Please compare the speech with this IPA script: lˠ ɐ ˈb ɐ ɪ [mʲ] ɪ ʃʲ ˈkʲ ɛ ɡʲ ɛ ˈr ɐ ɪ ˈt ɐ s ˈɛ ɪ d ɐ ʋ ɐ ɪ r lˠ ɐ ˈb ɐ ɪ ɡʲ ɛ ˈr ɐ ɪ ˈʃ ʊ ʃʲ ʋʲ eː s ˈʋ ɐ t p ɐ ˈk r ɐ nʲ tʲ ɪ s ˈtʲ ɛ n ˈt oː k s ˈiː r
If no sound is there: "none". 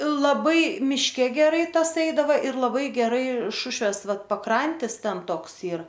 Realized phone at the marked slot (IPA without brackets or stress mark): mʲ